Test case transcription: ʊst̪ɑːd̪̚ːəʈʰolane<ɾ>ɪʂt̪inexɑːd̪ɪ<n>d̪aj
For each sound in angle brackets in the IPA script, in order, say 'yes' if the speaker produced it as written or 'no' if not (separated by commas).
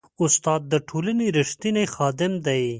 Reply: yes, no